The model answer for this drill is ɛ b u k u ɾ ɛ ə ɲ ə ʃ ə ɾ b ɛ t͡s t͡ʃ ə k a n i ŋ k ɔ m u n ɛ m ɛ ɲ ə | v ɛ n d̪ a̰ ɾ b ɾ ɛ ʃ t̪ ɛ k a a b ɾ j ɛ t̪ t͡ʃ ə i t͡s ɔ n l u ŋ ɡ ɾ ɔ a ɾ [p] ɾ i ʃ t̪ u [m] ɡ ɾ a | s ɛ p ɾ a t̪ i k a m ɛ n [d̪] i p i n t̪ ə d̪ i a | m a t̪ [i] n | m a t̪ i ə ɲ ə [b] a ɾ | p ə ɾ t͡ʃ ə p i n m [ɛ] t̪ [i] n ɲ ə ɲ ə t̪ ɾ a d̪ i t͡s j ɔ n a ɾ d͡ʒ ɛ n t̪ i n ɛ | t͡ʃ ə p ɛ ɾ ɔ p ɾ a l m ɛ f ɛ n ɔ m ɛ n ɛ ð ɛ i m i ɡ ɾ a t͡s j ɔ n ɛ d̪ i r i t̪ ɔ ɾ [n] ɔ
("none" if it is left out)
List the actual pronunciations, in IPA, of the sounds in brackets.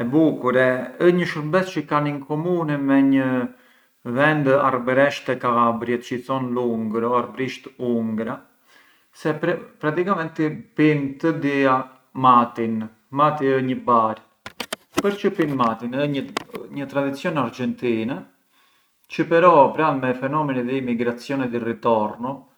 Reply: b, ŋ, t̪, i, b, a, i, n

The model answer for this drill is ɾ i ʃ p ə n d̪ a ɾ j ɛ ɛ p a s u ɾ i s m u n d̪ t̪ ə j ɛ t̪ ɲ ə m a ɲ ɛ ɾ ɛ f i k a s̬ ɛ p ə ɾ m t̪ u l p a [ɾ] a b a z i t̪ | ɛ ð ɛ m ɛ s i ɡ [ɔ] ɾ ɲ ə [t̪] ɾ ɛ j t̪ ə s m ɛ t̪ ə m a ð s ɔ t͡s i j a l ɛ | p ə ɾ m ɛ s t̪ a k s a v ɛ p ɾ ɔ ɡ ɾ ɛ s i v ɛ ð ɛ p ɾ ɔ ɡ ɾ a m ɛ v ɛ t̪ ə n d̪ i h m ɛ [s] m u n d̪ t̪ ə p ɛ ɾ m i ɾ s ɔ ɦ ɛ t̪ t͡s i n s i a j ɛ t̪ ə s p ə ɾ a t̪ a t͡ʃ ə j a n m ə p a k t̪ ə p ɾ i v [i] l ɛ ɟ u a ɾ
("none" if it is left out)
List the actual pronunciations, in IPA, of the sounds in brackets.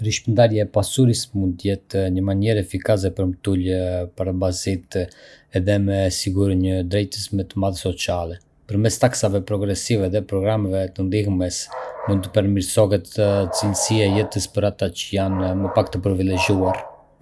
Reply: ɾ, u, d̪, s, i

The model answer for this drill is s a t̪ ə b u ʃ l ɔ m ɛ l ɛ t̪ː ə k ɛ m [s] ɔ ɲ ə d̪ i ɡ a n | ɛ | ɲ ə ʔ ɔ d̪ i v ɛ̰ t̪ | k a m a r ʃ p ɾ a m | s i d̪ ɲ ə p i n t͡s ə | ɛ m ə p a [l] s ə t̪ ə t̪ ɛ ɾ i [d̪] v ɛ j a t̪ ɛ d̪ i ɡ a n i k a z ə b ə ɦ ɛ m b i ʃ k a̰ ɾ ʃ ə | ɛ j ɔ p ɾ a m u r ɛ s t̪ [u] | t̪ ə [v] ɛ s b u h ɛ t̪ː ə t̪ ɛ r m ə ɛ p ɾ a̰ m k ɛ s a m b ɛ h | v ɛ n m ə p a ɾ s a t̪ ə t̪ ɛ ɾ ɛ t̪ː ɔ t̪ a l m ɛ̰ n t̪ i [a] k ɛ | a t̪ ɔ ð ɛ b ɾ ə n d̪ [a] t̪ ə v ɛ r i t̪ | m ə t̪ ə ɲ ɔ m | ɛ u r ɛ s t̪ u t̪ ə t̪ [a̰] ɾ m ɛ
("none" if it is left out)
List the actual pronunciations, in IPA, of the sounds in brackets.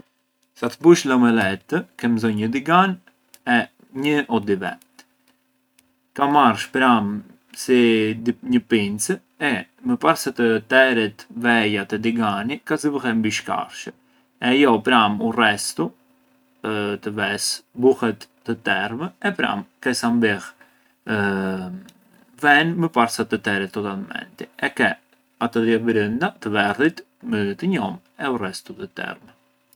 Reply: z, ɾ, t̪, u, v, ɛ, a, ɛ̰

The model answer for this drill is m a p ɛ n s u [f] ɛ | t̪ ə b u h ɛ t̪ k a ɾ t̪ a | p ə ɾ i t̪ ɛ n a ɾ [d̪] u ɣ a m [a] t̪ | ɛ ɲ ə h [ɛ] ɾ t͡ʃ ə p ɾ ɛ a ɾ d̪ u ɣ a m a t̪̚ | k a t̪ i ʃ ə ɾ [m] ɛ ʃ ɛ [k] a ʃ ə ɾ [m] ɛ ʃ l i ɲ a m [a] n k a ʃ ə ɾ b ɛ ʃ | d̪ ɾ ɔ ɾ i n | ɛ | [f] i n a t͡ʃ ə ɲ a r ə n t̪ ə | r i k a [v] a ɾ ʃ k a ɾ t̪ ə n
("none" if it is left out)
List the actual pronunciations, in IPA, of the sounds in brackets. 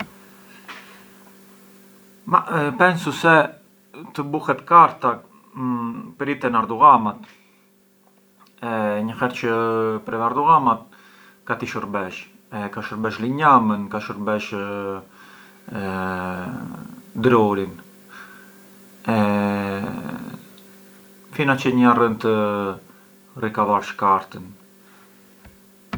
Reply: s, d̪, a, ɛ, b, k, b, ə, f, v

